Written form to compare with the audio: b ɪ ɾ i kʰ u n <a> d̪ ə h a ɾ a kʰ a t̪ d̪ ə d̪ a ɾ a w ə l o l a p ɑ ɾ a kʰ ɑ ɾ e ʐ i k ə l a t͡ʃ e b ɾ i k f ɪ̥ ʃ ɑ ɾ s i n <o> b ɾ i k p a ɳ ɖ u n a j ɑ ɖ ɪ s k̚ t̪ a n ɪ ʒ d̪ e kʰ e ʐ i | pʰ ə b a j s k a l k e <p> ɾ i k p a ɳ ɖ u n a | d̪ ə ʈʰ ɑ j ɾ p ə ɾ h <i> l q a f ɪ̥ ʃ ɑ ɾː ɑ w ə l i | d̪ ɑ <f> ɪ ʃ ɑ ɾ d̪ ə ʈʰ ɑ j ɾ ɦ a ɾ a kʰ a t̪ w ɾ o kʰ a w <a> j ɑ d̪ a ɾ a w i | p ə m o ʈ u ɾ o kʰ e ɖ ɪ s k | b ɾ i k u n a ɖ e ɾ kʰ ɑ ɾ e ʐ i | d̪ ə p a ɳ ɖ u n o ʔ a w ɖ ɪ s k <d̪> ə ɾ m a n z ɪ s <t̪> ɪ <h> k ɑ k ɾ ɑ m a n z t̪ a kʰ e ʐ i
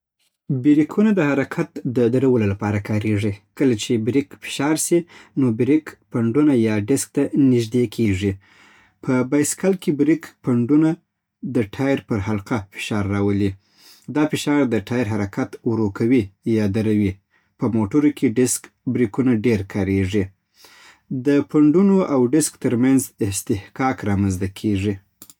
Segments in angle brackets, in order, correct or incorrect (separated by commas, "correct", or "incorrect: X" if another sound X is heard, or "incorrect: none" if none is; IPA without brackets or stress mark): correct, correct, incorrect: b, incorrect: a, correct, incorrect: i, incorrect: t̪, correct, correct